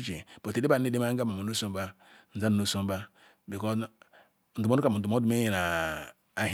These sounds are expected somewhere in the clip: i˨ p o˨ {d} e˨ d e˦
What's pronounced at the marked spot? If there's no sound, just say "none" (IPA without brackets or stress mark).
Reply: t